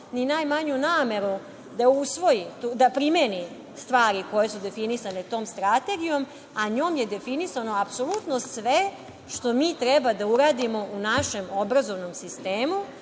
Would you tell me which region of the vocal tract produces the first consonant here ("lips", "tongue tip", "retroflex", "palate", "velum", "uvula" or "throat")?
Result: tongue tip